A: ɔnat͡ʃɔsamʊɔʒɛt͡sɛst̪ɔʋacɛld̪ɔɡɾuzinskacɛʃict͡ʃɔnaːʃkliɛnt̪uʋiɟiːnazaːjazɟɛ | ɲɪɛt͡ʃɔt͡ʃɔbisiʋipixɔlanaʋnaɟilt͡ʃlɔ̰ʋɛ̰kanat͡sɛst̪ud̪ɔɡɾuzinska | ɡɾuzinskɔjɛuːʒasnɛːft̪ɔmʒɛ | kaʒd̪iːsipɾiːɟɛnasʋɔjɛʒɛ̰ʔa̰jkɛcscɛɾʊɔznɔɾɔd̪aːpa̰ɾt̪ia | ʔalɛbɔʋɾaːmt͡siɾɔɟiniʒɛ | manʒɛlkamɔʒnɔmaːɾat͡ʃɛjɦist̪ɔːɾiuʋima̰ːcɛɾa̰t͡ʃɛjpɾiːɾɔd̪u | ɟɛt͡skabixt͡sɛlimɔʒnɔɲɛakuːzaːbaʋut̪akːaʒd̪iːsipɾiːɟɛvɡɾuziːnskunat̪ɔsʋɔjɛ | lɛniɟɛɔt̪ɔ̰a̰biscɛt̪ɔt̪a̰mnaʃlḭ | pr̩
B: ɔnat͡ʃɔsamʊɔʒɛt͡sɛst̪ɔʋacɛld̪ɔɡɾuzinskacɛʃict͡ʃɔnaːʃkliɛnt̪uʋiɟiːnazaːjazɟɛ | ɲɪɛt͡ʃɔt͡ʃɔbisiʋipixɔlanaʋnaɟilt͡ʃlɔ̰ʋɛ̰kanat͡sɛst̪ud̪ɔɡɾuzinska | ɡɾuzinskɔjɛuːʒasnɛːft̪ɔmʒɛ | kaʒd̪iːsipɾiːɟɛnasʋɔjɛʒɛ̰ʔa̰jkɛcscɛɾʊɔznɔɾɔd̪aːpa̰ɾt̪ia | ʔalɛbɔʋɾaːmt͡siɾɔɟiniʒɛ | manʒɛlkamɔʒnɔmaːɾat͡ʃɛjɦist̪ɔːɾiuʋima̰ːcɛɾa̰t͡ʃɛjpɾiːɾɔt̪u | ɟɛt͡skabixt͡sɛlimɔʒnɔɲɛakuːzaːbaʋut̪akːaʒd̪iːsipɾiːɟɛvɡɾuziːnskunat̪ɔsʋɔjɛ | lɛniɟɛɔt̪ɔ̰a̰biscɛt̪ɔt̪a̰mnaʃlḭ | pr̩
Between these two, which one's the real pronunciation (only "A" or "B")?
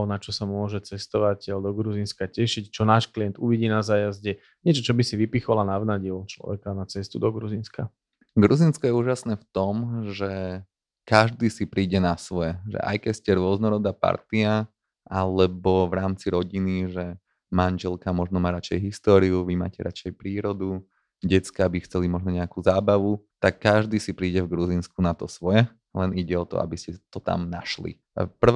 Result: A